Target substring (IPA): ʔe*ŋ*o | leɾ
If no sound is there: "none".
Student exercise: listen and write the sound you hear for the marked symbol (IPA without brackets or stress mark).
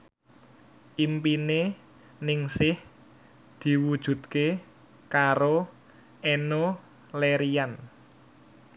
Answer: n